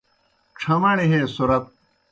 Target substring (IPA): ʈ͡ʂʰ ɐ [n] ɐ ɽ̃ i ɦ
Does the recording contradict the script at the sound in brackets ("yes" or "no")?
yes